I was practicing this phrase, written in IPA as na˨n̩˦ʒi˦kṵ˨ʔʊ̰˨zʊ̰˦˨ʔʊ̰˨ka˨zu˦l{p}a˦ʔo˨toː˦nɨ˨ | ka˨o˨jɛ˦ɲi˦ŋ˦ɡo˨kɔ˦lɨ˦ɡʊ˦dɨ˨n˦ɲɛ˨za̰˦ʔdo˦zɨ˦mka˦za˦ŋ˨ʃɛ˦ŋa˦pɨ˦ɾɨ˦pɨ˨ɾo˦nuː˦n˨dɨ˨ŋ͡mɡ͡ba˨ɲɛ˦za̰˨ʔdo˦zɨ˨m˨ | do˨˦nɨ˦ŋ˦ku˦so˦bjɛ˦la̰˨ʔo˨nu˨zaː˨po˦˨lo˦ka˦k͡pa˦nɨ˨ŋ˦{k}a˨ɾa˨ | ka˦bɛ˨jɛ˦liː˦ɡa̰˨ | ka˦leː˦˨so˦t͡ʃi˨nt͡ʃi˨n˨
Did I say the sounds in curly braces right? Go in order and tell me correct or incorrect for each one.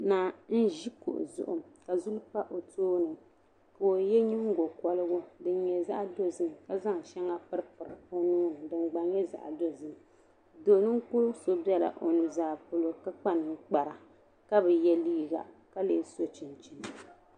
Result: correct, incorrect: k͡p

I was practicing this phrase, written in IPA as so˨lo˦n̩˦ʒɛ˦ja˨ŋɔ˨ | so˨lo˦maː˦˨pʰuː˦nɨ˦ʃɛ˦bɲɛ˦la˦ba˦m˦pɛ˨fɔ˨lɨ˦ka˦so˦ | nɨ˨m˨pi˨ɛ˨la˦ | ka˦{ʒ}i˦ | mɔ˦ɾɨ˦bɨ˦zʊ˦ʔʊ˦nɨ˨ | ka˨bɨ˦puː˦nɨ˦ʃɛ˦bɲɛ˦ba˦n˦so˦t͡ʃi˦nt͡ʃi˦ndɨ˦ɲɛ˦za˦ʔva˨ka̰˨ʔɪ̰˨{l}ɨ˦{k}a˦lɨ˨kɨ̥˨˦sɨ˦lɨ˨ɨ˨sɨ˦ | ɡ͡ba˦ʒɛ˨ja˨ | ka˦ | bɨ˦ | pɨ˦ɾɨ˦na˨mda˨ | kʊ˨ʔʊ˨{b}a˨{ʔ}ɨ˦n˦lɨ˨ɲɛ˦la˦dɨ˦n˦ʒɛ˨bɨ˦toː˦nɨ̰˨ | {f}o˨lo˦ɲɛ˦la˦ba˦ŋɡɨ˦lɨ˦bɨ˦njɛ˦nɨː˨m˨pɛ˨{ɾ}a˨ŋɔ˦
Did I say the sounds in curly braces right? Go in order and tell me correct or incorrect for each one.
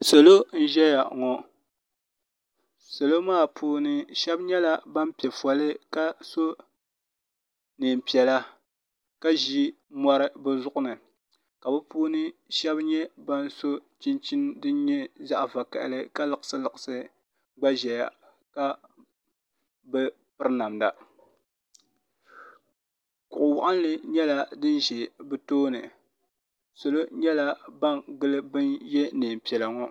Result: correct, correct, correct, incorrect: w, correct, incorrect: s, incorrect: l

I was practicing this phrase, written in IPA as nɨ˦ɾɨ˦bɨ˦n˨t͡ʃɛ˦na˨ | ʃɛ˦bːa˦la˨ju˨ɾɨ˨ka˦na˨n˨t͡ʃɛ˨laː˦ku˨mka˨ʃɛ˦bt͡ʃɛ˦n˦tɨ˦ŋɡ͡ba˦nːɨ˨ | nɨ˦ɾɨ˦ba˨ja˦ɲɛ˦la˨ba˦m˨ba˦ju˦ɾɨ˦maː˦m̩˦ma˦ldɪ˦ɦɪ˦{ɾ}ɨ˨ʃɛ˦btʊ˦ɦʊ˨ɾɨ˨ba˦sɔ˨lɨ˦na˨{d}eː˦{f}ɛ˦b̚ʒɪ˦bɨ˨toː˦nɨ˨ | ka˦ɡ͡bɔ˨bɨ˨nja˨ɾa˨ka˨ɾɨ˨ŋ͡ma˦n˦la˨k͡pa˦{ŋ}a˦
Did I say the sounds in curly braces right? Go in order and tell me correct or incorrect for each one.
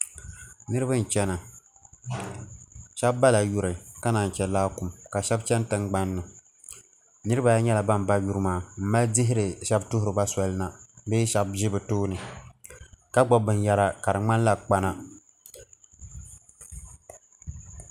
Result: correct, incorrect: b, incorrect: ʃ, incorrect: n

